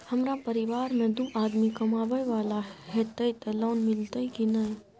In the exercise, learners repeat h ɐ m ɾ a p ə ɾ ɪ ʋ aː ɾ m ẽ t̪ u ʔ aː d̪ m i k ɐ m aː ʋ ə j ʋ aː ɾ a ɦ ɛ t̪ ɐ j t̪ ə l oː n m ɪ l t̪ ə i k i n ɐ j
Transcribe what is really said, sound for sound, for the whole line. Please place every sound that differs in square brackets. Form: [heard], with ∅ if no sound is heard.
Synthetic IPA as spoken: h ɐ m ɾ a p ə ɾ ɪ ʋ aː ɾ m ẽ [d̪] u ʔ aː d̪ m i k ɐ m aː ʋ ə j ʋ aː [l] a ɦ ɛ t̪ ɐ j t̪ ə l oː n m ɪ l t̪ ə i k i n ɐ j